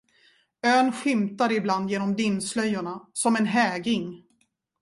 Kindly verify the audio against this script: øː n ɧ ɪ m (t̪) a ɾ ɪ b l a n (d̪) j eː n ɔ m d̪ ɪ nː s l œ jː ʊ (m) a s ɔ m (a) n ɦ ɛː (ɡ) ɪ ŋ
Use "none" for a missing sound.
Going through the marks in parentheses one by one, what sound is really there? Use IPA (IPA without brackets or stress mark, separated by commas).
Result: t̪, d̪, ɳ, ɛ, ɡ